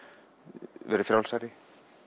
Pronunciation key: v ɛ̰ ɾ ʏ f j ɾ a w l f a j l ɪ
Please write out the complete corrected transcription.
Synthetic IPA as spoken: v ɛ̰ ɾ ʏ f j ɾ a w l s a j ɾ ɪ

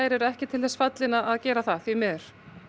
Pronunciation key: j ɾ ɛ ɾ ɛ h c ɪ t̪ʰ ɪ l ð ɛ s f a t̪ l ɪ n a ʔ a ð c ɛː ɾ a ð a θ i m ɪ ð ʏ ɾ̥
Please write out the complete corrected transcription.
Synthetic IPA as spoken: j ɾ ɛ ɾ ɛ h c ɪ t̪ʰ ɪ l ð ɛ s f a t̪ l ɪ n a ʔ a ð c ɛː ɾ a θ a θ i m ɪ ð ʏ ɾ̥

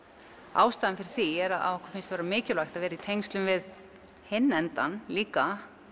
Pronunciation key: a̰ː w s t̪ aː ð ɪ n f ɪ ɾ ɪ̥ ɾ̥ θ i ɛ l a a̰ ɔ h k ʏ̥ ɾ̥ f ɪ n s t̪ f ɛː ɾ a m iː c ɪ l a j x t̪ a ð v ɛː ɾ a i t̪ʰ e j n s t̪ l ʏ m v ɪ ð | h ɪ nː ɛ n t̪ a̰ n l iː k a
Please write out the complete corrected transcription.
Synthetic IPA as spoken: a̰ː w s t̪ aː ð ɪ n f ɪ ɾ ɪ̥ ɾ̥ θ i ɛ ɾ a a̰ ɔ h k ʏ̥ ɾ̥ f ɪ n s t̪ v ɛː ɾ a m ɪː c ɪ l a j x t̪ a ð v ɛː ɾ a i t̪ʰ e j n s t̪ l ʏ m v ɪ ð | h ɪ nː ɛ n t̪ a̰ n l iː k a

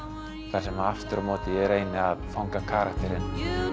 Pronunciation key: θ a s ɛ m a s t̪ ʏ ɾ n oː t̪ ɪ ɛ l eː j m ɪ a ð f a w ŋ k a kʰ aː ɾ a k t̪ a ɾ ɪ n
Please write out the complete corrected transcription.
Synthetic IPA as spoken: θ a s ɛ m a f t̪ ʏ ɾ m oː t̪ ɪ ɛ ɾ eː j n ɪ a ð f a w ŋ k a kʰ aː ɾ a k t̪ ɛ ɾ ɪ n

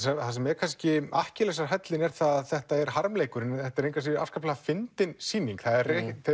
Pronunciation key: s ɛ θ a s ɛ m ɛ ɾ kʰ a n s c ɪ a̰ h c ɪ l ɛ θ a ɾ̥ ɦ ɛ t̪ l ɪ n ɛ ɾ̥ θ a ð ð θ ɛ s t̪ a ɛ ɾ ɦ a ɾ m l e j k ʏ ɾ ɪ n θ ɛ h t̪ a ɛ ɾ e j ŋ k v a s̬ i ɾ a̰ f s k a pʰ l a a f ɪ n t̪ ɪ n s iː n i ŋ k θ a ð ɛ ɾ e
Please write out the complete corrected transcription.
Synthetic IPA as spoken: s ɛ θ a s ɛ m ɛ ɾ kʰ a n s c ɪ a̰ h c ɪ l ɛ s a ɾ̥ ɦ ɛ t̪ l ɪ n ɛ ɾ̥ θ a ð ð θ ɛ h t̪ a ɛ ɾ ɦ a ɾ m l e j k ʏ ɾ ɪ n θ ɛ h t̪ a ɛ ɾ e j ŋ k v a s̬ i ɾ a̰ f s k a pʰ l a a f ɪ n t̪ ɪ n s iː n i ŋ k θ a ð ɛ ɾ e

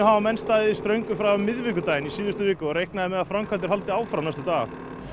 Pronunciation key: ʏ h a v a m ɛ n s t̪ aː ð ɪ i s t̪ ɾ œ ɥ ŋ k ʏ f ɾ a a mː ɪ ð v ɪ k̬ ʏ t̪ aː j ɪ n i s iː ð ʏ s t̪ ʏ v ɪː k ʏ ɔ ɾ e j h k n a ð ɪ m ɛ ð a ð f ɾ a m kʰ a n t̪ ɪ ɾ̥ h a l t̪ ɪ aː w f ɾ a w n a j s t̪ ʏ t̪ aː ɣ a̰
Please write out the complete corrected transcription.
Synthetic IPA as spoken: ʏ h a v a m ɛ n s t̪ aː ð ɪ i s t̪ ɾ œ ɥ ŋ k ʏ f ɾ a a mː ɪ ð v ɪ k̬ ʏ t̪ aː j ɪ n i s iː ð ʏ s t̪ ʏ v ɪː k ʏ ɔ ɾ e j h k n a ð ɪ m ɛ ð a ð f ɾ a m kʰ a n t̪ ɪ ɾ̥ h a l t̪ ɪ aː w f ɾ a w n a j s t̪ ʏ t̪ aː ɣ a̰

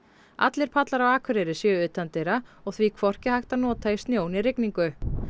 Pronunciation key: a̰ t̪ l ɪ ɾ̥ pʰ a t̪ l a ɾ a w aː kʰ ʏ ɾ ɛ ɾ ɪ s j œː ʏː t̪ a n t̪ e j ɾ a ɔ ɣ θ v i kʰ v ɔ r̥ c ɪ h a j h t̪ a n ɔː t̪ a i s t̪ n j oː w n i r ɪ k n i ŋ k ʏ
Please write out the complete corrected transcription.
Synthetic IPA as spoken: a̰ t̪ l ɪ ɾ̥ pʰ a t̪ l a ɾ a w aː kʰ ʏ ɾ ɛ ɾ ɪ s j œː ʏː t̪ a n t̪ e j ɾ a ɔ ɣ θ v i kʰ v ɔ r̥ c ɪ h a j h t̪ a n ɔː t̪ a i s t̪ n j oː w n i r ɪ k n i ŋ k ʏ

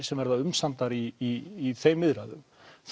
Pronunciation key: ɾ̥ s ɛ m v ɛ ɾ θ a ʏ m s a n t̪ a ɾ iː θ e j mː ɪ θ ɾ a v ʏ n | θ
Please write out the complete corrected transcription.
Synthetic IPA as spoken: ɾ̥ s ɛ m v ɛ ɾ ð a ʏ m s a n t̪ a ɾ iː θ e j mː ɪ ð ɾ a ð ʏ m | θ

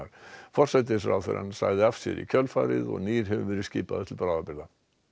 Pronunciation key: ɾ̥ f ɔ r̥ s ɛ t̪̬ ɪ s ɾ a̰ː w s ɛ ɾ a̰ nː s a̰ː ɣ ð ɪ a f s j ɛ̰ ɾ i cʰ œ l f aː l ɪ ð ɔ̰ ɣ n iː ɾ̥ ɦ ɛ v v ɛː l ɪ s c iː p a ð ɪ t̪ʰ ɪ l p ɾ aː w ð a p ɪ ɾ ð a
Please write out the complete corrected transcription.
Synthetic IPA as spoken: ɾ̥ f ɔ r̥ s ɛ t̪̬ ɪ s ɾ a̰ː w θ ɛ ɾ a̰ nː s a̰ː ɣ ð ɪ a f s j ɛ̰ ɾ i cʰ œ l f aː ɾ ɪ ð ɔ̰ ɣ n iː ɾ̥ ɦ ɛ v v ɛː ɾ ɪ s c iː p a ð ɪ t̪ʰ ɪ l p ɾ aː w ð a p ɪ ɾ ð a

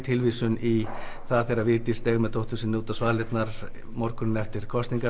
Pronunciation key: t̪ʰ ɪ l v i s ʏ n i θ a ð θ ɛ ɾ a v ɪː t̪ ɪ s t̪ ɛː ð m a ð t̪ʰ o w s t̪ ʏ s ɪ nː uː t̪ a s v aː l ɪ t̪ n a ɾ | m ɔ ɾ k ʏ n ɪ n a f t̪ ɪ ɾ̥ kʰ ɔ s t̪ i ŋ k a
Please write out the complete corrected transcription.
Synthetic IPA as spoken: t̪ʰ ɪ l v i s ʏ n i θ a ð θ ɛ ɾ a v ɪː t̪ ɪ s t̪ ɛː ɣ m ɛ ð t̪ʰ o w h t̪ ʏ s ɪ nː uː t̪ a s v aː l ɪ t̪ n a ɾ | m ɔ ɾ k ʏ n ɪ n ɛ f t̪ ɪ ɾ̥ kʰ ɔ s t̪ i ŋ k a

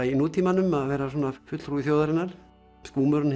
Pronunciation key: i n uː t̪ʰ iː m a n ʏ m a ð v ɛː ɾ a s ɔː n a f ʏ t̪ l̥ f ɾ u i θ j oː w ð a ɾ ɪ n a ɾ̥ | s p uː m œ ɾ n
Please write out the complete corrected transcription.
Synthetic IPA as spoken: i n uː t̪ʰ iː m a n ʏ m a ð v ɛː ɾ a s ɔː n a f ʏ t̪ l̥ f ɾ u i θ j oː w ð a ɾ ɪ n a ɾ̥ | s k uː m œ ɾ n

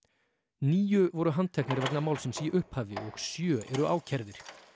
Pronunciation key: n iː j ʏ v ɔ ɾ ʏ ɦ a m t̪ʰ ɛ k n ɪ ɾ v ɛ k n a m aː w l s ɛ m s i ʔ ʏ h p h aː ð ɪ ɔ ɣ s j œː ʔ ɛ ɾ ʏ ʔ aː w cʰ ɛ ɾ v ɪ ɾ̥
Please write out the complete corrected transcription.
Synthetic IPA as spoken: n iː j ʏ v ɔ ɾ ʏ ɦ a n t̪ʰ ɛ k n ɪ ɾ v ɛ k n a m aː w l s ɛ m s i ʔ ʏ h p h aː v ɪ ɔ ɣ s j œː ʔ ɛ ɾ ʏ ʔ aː w cʰ ɛ ɾ ð ɪ ɾ̥

